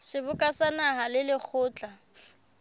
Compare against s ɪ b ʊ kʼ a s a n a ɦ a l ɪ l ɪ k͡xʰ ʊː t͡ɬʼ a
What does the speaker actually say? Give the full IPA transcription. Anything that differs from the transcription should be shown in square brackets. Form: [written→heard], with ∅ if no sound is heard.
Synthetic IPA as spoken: s ɪ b ʊ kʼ a s a n a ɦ a l ɪ l ɪ k͡xʰ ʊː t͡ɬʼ a